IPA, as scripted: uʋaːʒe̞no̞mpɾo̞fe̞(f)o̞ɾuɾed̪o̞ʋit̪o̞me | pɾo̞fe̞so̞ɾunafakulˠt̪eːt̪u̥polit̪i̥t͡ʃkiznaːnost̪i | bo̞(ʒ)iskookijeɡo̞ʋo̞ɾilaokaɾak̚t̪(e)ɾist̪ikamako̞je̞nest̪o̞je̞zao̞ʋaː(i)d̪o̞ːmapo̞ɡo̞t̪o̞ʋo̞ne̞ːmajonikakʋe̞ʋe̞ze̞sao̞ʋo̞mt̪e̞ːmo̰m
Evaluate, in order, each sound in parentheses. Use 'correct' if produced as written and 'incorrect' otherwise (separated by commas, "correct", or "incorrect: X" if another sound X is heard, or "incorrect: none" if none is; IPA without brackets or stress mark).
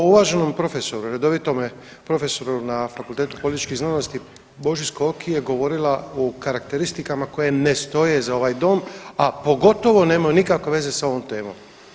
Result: incorrect: s, correct, correct, incorrect: j